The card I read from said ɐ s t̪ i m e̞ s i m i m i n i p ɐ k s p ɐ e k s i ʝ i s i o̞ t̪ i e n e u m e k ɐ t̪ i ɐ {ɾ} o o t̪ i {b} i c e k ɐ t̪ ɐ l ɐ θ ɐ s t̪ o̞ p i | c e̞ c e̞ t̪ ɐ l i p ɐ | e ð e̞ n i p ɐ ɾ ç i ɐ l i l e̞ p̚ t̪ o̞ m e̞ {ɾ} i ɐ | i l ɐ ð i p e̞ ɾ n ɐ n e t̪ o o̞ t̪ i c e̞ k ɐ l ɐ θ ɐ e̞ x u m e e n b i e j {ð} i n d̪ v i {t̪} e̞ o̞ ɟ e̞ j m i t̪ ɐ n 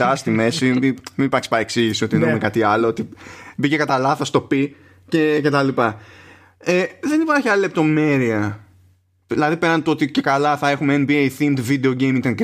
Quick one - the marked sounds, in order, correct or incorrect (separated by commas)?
incorrect, correct, correct, incorrect, incorrect